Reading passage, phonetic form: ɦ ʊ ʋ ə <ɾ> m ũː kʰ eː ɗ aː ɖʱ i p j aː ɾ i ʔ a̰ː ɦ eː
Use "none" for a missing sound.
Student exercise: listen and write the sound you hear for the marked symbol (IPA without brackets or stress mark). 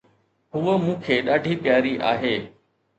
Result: none